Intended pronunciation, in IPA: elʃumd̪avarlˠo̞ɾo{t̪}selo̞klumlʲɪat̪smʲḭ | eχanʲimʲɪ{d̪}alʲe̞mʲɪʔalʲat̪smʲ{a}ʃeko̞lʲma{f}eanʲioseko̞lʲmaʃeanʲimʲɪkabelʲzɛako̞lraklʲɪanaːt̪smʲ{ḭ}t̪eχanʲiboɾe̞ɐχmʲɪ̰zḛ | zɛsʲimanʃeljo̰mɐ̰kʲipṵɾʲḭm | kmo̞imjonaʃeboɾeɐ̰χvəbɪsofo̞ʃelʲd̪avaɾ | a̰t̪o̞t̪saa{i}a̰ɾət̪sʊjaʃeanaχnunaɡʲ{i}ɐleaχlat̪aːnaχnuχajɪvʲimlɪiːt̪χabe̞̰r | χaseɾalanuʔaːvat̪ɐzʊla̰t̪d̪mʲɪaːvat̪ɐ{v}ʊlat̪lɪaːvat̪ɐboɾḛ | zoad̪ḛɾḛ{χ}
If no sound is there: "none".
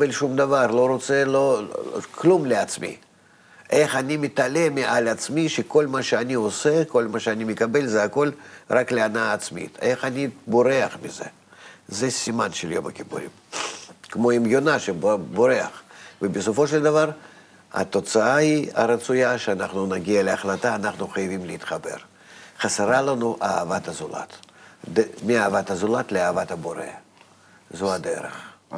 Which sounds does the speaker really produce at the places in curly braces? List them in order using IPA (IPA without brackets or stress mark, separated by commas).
t̪, t̪, i, ʃ, ḭ, i, i, z, χ